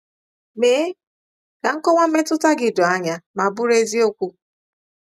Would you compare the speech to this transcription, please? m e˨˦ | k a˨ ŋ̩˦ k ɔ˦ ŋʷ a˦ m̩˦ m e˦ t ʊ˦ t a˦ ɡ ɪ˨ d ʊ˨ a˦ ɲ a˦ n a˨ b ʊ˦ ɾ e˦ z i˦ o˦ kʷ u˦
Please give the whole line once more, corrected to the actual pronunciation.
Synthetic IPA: m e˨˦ | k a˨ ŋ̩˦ k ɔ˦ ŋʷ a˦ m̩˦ m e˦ t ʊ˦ t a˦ ɡ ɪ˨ d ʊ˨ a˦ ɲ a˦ m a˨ b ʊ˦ ɾ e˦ z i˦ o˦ kʷ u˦